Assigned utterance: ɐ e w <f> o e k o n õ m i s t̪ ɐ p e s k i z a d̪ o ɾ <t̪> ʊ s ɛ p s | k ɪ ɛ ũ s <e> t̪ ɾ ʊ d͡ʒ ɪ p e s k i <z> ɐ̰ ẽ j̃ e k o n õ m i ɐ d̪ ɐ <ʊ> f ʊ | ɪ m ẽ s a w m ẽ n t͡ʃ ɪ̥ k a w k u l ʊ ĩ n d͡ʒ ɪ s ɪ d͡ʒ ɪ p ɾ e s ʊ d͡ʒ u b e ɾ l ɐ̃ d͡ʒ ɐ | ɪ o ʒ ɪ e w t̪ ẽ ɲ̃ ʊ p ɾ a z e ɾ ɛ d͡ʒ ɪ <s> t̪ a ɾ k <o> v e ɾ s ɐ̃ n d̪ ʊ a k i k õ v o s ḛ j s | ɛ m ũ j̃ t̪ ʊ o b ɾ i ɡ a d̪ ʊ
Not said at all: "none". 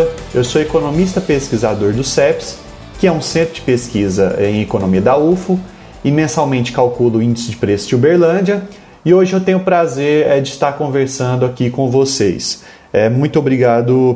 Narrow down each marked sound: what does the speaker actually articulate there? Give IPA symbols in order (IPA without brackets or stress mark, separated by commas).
s, d̪, ẽ, z, u, s, õ